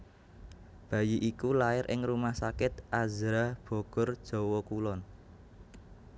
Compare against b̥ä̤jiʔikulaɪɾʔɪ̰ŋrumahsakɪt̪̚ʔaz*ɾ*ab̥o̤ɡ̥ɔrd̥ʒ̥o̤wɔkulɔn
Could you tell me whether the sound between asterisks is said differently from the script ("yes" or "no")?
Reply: no